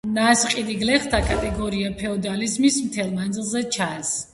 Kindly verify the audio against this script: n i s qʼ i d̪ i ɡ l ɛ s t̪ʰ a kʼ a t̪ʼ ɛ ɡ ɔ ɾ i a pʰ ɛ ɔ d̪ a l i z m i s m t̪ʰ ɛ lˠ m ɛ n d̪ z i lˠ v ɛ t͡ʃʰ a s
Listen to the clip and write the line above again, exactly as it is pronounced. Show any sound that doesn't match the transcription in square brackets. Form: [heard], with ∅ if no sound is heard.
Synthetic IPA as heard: n [a] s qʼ i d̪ i ɡ l ɛ [χ] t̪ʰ a kʼ a t̪ʼ ɛ ɡ ɔ ɾ i a pʰ ɛ ɔ d̪ a l i z m i s m t̪ʰ ɛ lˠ m [a] n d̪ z i lˠ [z] ɛ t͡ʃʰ a s